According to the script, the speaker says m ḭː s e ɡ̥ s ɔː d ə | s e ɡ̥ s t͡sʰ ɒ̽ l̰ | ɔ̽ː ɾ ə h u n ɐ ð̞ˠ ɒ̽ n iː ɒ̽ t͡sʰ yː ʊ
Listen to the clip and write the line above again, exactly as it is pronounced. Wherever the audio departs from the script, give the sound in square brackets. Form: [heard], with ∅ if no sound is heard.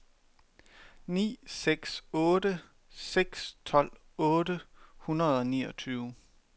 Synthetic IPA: [n] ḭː s e ɡ̥ s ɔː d ə | s e ɡ̥ s t͡sʰ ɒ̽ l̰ | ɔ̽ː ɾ ə h u n ɐ ð̞ˠ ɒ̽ n iː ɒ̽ t͡sʰ yː ʊ